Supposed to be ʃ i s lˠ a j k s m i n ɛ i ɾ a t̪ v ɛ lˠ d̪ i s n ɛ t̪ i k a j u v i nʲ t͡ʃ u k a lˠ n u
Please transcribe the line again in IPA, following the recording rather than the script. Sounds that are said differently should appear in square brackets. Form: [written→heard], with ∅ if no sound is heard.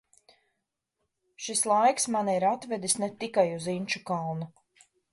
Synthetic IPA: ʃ i s lˠ a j k s m [i→a] n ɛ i ɾ a t̪ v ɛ [lˠ→∅] d̪ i s n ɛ t̪ i k a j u [v→z] i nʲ t͡ʃ u k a lˠ n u